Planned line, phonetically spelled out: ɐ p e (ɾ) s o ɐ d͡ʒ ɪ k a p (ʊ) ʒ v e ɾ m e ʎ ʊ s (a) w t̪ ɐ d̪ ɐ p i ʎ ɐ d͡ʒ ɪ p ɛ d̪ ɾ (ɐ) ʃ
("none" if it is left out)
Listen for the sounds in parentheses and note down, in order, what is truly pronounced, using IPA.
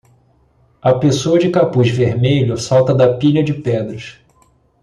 none, u, a, ɐ

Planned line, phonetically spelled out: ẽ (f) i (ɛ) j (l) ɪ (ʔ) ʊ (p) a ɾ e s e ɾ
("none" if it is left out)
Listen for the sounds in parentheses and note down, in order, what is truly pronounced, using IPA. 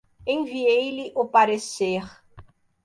v, e, l, ʔ, p

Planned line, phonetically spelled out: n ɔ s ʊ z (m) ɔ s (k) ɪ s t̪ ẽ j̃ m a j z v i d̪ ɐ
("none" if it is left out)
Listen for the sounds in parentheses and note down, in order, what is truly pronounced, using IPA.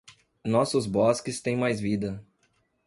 b, k

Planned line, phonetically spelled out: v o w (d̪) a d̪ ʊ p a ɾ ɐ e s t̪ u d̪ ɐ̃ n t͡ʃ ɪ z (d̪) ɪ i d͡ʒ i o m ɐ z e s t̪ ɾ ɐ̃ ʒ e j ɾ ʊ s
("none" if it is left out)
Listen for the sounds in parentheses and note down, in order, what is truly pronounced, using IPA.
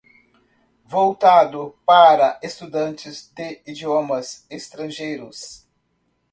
t̪, d̪

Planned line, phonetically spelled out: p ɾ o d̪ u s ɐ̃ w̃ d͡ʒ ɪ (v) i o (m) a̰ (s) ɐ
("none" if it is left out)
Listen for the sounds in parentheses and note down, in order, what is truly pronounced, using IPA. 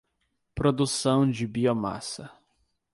b, m, s

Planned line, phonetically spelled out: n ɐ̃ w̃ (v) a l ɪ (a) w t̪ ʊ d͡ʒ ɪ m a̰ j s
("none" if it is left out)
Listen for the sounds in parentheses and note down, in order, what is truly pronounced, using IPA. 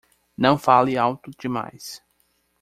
f, a

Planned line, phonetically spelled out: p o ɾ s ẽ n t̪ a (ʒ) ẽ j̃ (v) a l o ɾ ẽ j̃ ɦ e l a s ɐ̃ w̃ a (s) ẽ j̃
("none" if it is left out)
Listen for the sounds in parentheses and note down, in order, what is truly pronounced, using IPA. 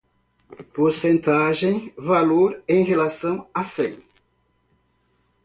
ʒ, v, s

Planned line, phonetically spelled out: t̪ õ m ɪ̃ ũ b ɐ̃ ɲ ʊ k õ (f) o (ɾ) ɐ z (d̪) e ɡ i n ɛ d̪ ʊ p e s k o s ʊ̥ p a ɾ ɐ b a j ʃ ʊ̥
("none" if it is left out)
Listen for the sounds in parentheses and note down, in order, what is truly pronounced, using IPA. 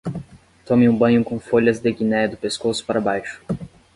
f, ʎ, d̪

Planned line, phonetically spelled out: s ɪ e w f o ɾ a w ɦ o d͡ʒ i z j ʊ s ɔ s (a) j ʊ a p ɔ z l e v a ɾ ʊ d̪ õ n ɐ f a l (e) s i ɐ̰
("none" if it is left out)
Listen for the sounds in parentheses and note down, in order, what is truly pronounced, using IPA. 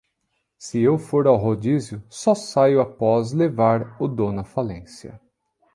a, ẽ

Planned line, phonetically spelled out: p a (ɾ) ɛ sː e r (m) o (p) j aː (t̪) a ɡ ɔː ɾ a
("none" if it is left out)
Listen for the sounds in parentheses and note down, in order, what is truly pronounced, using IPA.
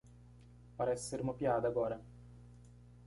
ɾ, m, p, d̪

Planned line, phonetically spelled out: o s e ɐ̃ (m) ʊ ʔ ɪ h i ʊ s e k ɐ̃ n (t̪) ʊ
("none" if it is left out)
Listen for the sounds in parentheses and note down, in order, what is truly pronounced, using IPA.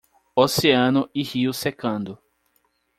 n, d̪

